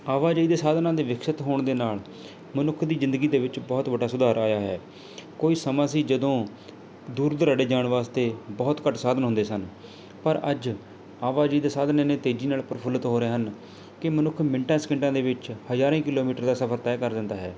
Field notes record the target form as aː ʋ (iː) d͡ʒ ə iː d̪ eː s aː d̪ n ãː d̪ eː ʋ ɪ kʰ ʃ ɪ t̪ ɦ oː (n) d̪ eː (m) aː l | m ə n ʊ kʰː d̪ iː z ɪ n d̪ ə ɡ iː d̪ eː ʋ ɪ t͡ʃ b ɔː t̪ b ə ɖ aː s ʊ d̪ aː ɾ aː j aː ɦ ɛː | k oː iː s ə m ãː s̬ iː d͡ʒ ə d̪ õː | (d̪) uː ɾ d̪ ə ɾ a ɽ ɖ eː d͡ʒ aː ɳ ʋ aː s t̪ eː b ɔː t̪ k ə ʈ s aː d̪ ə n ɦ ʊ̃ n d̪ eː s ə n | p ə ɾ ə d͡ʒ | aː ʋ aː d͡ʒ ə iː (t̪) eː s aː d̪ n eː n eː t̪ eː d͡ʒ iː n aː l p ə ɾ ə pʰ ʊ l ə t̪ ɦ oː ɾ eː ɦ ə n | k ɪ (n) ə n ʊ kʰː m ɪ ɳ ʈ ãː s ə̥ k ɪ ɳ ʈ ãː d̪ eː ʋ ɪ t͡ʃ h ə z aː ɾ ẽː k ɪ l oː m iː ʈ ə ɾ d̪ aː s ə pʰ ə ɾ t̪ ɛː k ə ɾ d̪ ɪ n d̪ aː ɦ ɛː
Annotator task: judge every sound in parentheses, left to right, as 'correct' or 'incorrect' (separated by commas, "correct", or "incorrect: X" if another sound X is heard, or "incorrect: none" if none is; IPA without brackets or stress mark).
incorrect: aː, incorrect: ɳ, incorrect: n, correct, incorrect: d̪, incorrect: m